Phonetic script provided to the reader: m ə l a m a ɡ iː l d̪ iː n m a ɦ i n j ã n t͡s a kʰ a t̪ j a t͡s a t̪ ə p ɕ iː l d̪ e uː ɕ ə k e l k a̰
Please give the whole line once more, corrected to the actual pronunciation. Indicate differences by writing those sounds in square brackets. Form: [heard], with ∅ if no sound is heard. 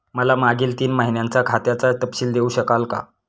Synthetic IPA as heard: m ə l a m a ɡ iː l [t̪] iː n m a ɦ i n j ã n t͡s a kʰ a t̪ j a t͡s a t̪ ə p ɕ iː l d̪ e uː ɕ ə k [a] l k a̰